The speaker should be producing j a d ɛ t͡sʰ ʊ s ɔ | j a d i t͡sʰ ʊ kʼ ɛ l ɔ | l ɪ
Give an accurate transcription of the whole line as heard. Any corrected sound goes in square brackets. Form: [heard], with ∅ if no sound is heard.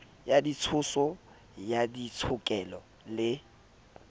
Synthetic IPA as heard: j a d [i] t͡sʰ ʊ s ɔ | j a d i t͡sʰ ʊ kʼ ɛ l ɔ | l ɪ

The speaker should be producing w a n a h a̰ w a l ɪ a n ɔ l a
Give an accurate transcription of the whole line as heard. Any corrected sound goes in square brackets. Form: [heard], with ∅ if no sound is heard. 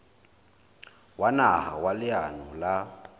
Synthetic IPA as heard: w a n a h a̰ w a l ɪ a n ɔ l a

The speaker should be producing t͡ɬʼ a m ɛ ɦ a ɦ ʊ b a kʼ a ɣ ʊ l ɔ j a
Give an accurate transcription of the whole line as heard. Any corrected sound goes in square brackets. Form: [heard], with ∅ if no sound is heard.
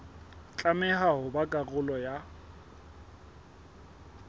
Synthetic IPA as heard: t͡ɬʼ a m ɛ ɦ a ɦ ʊ b a kʼ a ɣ ʊ l ɔ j a

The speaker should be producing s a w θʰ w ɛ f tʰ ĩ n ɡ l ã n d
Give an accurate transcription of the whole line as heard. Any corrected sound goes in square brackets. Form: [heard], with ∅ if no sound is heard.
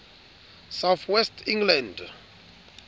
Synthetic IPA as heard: s a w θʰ w ɛ [s] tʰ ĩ [ŋ] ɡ l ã n d

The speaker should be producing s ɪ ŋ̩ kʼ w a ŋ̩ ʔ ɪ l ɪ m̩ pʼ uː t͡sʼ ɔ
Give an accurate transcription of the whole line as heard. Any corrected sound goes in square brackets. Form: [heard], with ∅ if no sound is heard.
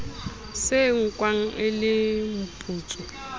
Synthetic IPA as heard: s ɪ ŋ̩ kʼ w a ŋ̩ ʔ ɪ l ɪ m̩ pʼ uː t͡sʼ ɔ

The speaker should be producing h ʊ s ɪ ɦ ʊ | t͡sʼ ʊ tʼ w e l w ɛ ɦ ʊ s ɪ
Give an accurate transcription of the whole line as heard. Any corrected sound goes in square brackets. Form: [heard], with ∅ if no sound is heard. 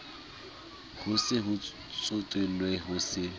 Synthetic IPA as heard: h ʊ s ɪ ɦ ʊ | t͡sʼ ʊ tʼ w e l w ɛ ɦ ʊ s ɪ

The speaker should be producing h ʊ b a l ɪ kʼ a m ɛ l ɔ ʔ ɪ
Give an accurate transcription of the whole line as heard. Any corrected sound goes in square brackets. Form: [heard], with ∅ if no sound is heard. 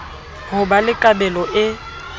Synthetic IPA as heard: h ʊ b a l ɪ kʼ a [b] ɛ l ɔ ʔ ɪ

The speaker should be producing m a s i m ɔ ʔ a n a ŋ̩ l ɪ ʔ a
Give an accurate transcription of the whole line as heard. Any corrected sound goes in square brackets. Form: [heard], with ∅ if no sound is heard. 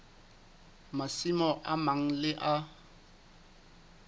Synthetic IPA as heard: m a s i m ɔ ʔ a [m] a ŋ̩ l ɪ ʔ a

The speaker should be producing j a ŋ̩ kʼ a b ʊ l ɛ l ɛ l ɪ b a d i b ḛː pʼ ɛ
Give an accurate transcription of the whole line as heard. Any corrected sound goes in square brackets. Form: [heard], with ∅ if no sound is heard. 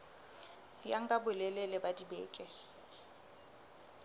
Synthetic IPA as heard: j a ŋ̩ kʼ a b ʊ l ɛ l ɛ l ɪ b a d i b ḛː [kʼ] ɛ

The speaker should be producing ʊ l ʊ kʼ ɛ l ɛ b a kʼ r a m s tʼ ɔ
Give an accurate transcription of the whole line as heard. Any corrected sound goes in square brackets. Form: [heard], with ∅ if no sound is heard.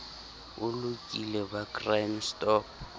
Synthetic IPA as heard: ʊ l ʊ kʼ [i] l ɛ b a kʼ r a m s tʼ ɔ

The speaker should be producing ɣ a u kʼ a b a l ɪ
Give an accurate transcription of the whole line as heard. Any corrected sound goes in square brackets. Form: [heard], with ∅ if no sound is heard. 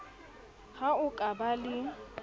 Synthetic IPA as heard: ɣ a [ʊ] kʼ a b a l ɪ

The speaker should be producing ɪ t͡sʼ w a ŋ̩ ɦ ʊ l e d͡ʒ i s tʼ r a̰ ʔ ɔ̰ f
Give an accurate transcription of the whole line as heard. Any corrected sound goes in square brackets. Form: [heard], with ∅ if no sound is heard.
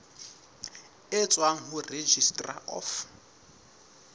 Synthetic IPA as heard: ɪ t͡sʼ w a ŋ̩ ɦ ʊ [r] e d͡ʒ i s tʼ r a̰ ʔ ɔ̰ f

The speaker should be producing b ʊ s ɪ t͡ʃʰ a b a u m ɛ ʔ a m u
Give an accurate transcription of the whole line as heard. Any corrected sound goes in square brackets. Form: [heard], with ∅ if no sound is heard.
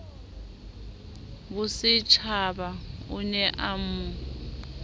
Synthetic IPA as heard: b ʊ s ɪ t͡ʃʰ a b a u [n] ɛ ʔ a m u

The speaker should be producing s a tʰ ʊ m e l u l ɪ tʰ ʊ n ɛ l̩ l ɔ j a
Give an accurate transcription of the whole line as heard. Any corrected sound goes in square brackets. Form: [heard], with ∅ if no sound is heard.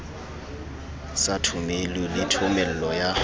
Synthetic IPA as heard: s a tʰ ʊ m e l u l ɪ tʰ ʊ [m] ɛ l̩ l ɔ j a

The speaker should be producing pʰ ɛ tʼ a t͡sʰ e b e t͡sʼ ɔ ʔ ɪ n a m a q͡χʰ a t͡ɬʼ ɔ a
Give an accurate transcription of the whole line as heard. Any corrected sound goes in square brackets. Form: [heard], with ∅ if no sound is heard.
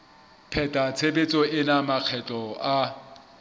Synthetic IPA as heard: pʰ ɛ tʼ a t͡sʰ e b e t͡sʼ ɔ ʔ ɪ n a m a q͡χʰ [ɛ] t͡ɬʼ ɔ a

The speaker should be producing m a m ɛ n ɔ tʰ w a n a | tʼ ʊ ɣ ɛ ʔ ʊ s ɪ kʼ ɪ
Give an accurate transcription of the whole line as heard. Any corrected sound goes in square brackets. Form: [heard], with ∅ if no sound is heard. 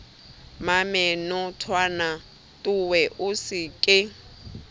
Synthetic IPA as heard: m a m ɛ n ɔ tʰ w a n a | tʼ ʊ [w] ɛ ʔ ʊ s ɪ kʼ ɪ

